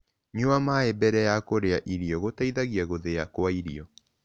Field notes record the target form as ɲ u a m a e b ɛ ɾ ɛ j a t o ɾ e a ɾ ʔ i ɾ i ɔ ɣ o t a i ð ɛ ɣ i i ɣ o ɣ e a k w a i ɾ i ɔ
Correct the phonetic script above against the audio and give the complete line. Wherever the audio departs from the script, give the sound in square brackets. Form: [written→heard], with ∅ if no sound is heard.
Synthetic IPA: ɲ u a m a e b ɛ ɾ ɛ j a [t→k] o ɾ e a [ɾ→∅] ʔ i ɾ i ɔ ɣ o t a i ð [ɛ→a] ɣ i [i→a] ɣ o [ɣ→ð] e a k w a i ɾ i ɔ